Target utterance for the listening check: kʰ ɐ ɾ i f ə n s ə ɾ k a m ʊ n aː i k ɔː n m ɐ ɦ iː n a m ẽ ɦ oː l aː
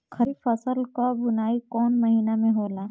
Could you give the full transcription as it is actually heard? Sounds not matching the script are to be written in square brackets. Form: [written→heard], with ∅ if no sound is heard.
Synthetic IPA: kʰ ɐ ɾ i f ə [n→∅] s ə [ɾ→l] k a [m→b] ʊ n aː i k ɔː n m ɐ ɦ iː n a m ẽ ɦ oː l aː